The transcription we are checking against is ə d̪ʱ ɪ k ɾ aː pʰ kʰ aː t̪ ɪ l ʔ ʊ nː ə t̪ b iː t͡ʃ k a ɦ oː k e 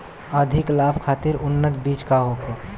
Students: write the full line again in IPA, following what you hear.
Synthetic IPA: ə d̪ʱ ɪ k l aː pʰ kʰ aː t̪ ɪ ɾ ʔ ʊ nː ə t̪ b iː t͡ʃ k a ɦ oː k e